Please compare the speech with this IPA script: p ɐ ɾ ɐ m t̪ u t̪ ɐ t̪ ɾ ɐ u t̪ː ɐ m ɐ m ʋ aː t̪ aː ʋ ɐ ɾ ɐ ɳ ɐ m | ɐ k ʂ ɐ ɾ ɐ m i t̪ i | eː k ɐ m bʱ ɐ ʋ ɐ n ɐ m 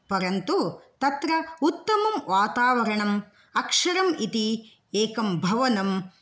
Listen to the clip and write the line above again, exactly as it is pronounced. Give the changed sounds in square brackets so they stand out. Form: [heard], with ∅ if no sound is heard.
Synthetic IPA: p ɐ ɾ ɐ [n] t̪ u t̪ ɐ t̪ ɾ ɐ u t̪ː ɐ m ɐ m ʋ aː t̪ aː ʋ ɐ ɾ ɐ ɳ ɐ m | ɐ k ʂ ɐ ɾ ɐ m i t̪ i | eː k ɐ m bʱ ɐ ʋ ɐ n ɐ m